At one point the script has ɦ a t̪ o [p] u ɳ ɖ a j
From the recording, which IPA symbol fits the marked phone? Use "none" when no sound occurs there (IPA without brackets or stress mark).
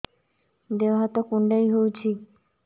k